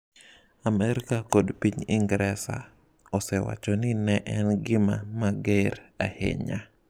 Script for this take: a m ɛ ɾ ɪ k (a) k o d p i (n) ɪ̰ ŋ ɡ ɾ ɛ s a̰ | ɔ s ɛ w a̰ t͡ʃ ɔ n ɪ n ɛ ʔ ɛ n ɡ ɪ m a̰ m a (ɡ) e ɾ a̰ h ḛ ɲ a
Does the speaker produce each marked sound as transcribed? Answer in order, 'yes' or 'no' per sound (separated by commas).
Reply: yes, no, yes